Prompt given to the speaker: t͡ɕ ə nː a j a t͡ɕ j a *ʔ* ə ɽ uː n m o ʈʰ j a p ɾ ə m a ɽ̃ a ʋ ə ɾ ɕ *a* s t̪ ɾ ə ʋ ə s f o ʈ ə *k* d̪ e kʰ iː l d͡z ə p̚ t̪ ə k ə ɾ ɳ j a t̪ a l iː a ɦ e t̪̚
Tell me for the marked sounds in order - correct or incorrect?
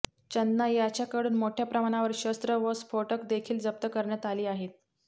incorrect: k, incorrect: ə, correct

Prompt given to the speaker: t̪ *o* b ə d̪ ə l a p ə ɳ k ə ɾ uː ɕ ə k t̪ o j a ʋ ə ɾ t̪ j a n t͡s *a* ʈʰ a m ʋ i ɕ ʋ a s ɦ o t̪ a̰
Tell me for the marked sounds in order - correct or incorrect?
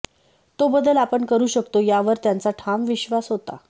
correct, correct

